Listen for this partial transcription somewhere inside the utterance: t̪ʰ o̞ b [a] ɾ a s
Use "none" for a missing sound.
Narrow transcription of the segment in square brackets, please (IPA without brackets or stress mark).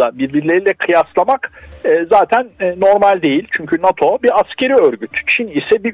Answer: i